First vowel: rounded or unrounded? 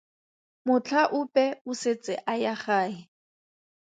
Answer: rounded